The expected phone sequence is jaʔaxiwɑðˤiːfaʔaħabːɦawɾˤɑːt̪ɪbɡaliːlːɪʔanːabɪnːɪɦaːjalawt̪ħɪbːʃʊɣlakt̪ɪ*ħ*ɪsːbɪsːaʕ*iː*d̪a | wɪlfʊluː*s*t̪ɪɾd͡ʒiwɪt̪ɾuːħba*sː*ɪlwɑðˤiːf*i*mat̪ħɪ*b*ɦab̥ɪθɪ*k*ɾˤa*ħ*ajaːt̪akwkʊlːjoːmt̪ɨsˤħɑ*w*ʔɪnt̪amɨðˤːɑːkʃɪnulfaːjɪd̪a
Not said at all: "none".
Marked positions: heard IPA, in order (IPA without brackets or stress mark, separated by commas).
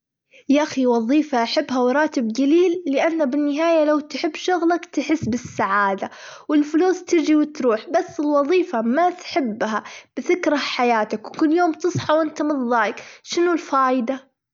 ħ, aː, s, sː, a, bː, k, ħ, w